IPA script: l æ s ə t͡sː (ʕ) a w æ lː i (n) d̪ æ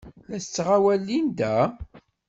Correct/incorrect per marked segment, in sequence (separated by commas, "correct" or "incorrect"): incorrect, correct